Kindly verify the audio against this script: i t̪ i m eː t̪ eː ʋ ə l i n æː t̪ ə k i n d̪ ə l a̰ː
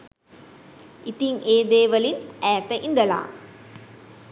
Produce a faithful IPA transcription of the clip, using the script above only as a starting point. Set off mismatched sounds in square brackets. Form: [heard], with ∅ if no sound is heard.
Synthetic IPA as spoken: i t̪ i [ŋ] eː [d̪] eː ʋ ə l i n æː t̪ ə [ʔ] i n d̪ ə l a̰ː